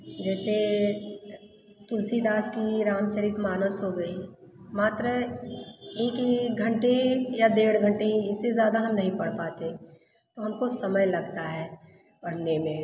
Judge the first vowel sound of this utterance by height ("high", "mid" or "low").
mid